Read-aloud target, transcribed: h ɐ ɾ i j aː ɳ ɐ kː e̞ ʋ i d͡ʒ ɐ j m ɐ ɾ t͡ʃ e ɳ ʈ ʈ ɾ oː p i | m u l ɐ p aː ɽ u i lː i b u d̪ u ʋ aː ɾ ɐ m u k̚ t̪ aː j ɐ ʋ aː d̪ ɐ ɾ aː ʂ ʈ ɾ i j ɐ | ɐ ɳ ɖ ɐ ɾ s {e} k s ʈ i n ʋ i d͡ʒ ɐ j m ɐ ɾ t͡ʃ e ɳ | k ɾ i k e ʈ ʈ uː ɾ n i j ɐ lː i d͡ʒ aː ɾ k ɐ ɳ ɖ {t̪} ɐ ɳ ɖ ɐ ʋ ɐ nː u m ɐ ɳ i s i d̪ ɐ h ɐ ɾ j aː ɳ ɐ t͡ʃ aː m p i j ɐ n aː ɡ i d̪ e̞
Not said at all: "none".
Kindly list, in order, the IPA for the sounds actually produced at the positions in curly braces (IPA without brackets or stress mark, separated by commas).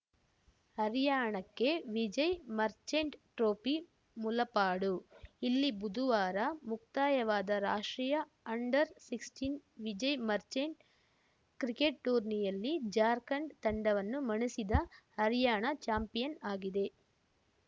i, t̪